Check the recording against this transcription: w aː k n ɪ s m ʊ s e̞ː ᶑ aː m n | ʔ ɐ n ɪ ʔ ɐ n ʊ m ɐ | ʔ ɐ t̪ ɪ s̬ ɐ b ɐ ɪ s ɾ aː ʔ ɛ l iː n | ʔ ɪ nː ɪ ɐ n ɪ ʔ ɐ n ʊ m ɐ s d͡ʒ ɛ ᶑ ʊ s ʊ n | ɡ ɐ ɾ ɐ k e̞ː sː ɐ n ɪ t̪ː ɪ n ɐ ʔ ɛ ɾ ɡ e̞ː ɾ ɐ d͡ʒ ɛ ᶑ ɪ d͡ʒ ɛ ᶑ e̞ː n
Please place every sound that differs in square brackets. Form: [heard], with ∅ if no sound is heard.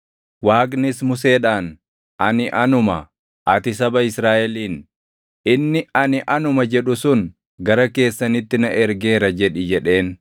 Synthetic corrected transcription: w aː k n ɪ s m ʊ s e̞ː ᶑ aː [∅] n | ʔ ɐ n ɪ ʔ ɐ n ʊ m ɐ | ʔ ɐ t̪ ɪ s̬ ɐ b ɐ ɪ s ɾ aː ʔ ɛ l iː n | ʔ ɪ nː ɪ ɐ n ɪ ʔ ɐ n ʊ m ɐ [∅] d͡ʒ ɛ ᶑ ʊ s ʊ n | ɡ ɐ ɾ ɐ k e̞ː sː ɐ n ɪ t̪ː ɪ n ɐ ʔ ɛ ɾ ɡ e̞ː ɾ ɐ d͡ʒ ɛ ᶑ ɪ d͡ʒ ɛ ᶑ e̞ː n